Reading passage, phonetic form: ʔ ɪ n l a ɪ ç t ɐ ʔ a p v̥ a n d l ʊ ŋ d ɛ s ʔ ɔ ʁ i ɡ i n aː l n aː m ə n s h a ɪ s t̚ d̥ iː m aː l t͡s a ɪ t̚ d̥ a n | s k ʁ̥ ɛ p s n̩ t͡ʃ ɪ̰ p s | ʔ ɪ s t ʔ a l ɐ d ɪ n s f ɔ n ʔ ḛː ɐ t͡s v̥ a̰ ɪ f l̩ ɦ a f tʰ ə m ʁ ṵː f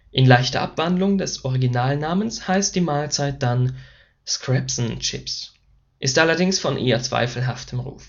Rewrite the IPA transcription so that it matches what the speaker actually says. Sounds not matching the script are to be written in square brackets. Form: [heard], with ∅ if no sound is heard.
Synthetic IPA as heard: ʔ ɪ n l a ɪ ç t ɐ ʔ a p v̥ a n d l ʊ ŋ d ɛ s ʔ ɔ ʁ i ɡ i n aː l n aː m ə n s h a ɪ s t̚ d̥ iː m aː l t͡s a ɪ t̚ d̥ a n | s k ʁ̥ ɛ p s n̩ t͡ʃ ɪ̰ p s | ʔ ɪ s t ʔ a l ɐ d ɪ [ŋ] s f ɔ n ʔ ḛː ɐ t͡s v̥ a̰ ɪ f l̩ ɦ a f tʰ ə m ʁ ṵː f